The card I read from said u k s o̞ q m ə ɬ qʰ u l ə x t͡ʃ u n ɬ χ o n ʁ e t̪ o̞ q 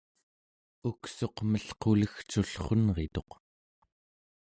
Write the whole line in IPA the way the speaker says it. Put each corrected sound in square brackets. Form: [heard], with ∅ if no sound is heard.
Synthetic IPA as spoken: u k s o̞ q m ə ɬ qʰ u l ə x t͡ʃ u [∅] ɬ χ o n ʁ e t̪ o̞ q